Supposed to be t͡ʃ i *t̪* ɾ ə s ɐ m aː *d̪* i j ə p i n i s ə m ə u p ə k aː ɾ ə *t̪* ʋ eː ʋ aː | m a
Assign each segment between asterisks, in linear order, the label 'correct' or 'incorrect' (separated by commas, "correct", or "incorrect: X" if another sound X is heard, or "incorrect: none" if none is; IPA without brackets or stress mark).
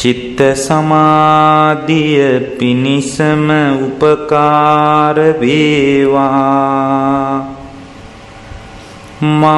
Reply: correct, correct, incorrect: none